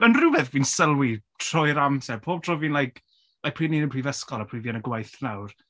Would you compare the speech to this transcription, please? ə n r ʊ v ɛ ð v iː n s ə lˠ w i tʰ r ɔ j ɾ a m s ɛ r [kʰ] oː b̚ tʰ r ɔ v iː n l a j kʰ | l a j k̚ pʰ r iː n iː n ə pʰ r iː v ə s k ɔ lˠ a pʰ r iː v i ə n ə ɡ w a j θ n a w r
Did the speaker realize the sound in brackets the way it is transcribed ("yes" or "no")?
no